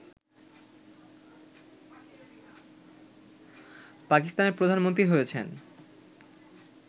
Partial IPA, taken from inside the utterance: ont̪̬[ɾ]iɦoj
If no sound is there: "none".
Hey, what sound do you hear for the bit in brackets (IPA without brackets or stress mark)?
ɾ